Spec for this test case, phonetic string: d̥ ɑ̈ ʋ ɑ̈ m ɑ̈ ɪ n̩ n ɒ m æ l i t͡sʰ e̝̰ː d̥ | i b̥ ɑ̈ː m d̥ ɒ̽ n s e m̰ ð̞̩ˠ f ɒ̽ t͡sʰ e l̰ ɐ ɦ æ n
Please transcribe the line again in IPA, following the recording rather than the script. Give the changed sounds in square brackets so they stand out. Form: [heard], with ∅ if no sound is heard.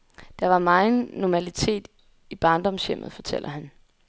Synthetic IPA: d̥ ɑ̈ ʋ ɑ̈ m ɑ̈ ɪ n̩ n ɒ m æ l i t͡sʰ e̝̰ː d̥ | i b̥ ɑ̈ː [n] d̥ ɒ̽ [m] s e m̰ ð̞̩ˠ f ɒ̽ t͡sʰ e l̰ ɐ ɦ æ n